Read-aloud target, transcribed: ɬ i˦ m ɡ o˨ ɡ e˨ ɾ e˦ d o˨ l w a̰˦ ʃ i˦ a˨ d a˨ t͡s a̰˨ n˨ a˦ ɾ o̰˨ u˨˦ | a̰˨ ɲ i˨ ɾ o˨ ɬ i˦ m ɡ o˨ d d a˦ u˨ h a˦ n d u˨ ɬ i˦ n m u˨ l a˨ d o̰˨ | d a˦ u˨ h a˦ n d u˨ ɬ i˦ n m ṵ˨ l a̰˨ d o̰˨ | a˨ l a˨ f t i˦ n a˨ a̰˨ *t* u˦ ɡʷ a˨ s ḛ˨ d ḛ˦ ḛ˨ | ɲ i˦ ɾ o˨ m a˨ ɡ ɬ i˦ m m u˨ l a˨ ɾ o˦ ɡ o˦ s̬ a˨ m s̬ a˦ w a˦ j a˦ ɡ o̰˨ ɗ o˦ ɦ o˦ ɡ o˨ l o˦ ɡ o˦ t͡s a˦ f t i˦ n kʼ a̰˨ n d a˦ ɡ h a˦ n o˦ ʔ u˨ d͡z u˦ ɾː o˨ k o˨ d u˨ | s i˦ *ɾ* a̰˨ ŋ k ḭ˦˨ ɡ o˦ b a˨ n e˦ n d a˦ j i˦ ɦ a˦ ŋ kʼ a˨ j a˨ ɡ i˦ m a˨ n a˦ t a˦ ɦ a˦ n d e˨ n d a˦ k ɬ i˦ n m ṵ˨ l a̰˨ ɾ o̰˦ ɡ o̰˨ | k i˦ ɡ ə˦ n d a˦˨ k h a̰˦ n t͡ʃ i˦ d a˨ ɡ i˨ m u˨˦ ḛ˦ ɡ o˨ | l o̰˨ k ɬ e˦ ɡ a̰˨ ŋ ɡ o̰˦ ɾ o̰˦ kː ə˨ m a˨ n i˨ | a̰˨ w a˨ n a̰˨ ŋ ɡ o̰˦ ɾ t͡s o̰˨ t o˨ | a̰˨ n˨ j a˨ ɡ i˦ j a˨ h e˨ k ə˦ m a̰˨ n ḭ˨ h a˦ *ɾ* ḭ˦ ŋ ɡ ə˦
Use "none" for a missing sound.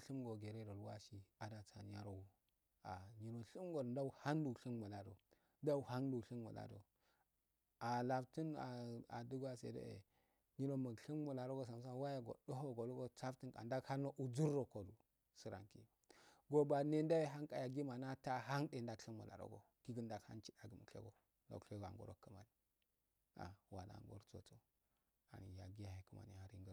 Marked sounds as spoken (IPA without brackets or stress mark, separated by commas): d, ɾ, ɾ